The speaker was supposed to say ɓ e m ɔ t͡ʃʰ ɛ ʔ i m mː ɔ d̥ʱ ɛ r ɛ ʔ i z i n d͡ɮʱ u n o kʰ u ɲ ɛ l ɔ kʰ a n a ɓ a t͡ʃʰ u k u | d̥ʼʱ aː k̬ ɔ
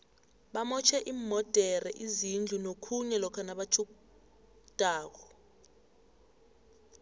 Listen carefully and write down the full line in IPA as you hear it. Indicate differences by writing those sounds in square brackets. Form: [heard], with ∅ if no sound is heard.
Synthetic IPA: ɓ [a] m ɔ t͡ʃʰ ɛ ʔ i m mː ɔ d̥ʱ ɛ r ɛ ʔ i z i n d͡ɮʱ u n o kʰ u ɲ ɛ l ɔ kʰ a n a ɓ a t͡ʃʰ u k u | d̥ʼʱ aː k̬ ɔ